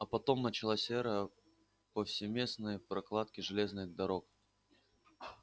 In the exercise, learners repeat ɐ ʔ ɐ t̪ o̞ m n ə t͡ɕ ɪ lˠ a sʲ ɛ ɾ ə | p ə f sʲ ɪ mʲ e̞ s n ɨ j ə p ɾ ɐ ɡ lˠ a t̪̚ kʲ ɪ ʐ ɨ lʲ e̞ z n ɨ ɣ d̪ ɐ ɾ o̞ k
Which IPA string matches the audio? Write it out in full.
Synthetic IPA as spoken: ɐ p ɐ t̪ o̞ m n ə t͡ɕ ɪ lˠ a sʲ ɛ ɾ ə | p ə f sʲ ɪ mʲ e̞ s n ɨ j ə p ɾ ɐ k lˠ a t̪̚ kʲ ɪ ʐ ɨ lʲ e̞ z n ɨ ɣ d̪ ɐ ɾ o̞ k